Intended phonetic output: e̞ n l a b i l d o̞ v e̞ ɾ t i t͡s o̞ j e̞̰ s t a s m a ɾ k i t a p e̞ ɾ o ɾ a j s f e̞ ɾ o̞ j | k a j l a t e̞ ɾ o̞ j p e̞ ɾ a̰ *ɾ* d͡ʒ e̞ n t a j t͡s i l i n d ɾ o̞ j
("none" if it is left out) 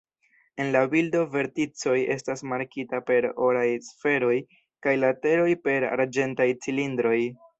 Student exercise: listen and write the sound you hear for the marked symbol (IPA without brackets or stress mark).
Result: ɾ